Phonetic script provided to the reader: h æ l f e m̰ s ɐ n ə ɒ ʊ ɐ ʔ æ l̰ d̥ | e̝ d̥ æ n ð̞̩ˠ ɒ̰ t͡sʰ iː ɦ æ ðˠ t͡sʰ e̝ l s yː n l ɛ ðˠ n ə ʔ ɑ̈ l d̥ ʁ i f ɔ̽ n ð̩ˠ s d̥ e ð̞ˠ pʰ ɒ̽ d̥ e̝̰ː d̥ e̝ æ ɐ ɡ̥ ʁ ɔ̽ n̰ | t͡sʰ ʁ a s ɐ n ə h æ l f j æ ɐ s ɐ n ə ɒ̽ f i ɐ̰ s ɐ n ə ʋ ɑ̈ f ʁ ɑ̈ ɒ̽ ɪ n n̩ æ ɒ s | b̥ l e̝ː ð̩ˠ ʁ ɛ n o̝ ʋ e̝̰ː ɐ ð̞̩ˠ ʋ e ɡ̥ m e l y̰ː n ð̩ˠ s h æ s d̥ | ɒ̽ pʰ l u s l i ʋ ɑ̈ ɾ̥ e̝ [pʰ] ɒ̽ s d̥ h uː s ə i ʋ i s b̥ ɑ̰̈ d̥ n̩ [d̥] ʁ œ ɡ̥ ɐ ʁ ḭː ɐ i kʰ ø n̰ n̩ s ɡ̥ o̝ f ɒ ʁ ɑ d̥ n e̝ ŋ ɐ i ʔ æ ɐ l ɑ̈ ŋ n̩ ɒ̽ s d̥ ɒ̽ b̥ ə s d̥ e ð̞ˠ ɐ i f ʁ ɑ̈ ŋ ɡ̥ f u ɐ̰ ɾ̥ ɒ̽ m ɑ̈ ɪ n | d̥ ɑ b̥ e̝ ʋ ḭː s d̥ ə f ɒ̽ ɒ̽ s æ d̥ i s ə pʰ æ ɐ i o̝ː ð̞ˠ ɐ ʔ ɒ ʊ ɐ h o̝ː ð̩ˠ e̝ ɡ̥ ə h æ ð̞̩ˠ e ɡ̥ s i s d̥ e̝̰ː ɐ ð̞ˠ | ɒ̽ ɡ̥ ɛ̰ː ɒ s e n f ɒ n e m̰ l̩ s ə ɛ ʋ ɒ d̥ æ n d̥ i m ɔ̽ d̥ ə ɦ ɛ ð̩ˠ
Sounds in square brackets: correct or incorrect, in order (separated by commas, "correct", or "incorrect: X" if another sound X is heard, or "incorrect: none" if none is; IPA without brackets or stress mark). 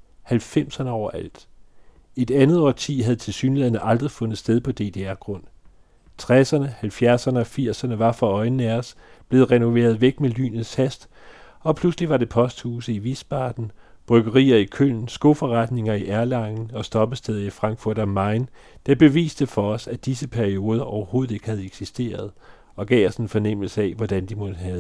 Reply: correct, incorrect: b̥